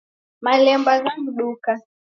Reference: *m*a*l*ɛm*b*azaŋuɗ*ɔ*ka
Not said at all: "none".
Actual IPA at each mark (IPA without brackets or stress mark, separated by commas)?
m, l, b, u